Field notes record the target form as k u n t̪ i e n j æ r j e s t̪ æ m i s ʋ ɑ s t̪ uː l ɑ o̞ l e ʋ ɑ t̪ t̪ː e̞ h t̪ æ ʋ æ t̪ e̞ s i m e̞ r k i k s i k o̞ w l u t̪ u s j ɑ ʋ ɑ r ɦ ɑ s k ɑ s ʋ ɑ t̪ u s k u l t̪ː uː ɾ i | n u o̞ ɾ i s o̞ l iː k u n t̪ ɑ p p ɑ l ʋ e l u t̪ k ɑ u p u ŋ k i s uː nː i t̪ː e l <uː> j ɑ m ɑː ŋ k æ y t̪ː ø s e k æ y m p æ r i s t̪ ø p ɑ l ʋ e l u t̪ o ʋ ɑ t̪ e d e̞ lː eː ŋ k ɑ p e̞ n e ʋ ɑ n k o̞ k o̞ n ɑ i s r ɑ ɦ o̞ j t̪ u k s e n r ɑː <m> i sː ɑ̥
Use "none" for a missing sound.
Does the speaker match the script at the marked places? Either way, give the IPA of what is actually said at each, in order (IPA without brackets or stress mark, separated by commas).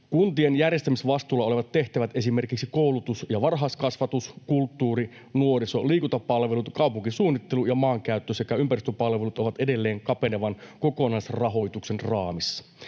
u, m